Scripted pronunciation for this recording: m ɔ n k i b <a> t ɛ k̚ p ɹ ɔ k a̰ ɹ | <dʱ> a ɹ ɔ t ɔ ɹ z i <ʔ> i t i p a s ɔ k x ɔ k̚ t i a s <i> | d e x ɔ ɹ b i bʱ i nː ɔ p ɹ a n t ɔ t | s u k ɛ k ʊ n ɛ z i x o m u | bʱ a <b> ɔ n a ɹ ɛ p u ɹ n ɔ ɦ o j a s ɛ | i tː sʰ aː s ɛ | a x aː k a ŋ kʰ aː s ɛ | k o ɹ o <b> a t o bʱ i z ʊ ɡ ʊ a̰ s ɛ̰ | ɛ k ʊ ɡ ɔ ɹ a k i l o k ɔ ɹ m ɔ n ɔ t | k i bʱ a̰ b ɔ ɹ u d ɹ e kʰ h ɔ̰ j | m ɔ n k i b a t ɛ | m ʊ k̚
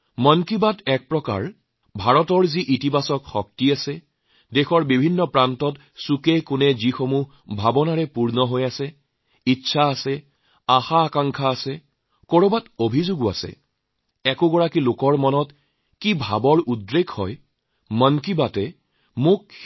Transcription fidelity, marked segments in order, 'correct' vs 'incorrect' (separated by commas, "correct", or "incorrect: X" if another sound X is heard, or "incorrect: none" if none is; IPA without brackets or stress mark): correct, incorrect: bʱ, correct, incorrect: ɛ, correct, correct